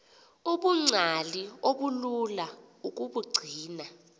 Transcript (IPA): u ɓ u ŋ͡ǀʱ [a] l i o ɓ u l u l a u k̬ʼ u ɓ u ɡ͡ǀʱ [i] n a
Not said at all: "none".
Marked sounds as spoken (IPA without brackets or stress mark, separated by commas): a, iː